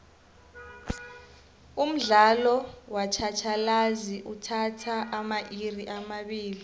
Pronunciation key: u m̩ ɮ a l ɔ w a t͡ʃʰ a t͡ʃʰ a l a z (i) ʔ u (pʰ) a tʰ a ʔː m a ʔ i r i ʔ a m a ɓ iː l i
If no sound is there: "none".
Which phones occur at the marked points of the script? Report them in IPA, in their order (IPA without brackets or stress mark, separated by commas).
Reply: i, tʰ